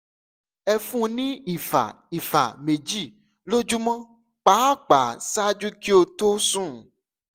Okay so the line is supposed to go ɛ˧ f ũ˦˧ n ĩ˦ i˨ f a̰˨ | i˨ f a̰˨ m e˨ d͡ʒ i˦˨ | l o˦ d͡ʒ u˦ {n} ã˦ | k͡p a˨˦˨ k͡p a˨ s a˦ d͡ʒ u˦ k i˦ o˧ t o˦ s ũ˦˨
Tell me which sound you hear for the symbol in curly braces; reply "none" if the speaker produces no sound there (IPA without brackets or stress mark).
m